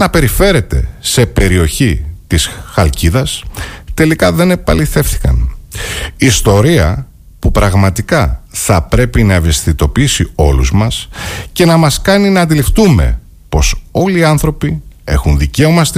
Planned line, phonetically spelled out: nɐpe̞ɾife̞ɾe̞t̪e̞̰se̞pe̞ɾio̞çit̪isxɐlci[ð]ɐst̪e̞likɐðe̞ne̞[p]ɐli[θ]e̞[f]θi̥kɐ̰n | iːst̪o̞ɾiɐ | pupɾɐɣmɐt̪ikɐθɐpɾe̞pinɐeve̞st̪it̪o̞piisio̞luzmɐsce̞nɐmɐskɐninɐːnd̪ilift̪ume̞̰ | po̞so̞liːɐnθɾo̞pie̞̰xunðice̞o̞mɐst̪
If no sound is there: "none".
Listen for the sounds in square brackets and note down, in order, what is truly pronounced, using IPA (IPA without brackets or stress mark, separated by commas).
ð, p, θ, f